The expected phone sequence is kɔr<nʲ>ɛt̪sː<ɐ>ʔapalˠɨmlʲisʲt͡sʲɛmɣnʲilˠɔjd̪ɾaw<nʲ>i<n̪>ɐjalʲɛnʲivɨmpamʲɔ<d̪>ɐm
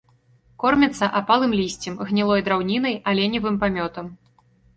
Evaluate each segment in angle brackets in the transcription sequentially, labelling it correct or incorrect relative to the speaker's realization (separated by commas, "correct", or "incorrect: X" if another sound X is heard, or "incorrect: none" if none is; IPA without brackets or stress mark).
incorrect: mʲ, correct, correct, correct, incorrect: t̪